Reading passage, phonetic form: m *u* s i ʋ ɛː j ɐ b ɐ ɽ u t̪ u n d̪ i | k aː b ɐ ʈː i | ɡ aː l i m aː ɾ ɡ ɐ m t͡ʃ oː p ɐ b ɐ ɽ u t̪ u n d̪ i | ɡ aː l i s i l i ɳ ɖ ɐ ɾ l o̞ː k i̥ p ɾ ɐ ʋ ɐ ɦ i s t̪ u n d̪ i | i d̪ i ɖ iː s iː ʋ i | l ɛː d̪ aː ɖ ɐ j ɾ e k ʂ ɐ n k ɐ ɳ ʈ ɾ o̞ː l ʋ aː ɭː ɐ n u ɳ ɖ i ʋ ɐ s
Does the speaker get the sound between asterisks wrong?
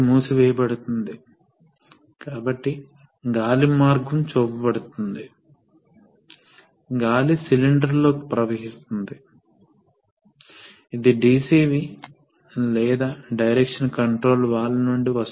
yes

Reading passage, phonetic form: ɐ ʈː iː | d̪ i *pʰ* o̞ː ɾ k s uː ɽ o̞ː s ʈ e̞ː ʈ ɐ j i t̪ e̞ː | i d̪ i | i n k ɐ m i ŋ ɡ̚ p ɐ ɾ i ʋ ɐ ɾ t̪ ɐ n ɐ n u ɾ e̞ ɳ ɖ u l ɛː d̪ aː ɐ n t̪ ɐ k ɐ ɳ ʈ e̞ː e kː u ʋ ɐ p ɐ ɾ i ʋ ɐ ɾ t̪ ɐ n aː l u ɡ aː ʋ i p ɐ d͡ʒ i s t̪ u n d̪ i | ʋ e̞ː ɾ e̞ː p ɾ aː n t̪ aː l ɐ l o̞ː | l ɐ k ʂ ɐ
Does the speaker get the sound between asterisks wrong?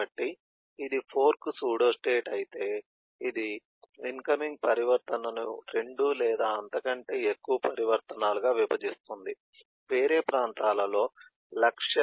no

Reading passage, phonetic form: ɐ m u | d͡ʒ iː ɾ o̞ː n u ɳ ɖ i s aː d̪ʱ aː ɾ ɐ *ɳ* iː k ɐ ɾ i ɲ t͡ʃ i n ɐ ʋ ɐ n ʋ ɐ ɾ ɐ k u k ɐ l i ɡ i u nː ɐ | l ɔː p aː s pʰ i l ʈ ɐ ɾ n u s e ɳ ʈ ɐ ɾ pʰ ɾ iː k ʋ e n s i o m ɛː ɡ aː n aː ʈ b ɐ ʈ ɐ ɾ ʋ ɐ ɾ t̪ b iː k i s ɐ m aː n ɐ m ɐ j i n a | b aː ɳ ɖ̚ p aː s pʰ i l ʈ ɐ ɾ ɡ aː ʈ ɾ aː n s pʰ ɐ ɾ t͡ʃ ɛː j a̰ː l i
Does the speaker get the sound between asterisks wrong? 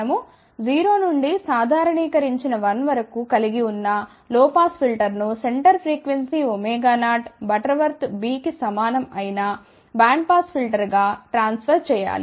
no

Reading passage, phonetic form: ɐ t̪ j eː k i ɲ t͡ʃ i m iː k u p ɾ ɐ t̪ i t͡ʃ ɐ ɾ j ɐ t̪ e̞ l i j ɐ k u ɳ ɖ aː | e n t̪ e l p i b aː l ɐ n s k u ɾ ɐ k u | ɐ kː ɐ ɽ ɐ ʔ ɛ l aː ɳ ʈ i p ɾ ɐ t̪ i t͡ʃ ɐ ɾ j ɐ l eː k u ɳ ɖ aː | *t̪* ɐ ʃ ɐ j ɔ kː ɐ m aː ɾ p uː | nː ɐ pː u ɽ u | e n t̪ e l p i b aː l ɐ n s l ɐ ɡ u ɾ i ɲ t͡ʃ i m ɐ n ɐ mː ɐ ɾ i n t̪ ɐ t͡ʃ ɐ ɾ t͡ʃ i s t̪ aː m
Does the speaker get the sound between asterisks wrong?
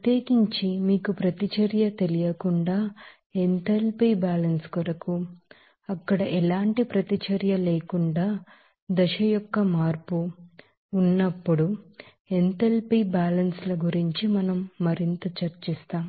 yes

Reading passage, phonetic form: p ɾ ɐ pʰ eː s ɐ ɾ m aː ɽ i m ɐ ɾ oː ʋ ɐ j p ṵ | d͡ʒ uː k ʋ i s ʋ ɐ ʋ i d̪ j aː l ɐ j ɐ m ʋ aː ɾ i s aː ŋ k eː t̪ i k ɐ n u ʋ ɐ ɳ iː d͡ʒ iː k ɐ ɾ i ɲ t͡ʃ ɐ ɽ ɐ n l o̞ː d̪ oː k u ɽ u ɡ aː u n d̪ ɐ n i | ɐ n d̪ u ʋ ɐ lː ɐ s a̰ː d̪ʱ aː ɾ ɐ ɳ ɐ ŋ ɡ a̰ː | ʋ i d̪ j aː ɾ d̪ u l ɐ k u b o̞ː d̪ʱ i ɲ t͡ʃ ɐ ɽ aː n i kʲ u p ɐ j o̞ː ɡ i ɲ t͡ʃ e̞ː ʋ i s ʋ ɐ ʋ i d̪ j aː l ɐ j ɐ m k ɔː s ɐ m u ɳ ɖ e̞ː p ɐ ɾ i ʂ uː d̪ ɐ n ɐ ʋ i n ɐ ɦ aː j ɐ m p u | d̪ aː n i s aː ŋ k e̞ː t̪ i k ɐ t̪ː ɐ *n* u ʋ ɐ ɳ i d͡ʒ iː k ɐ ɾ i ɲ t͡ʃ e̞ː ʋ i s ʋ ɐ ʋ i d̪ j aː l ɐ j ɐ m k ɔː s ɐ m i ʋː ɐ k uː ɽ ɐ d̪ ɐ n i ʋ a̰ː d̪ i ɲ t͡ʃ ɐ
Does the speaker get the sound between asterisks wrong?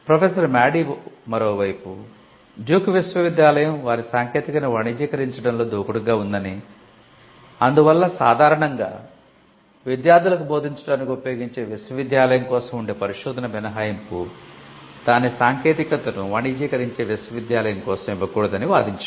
no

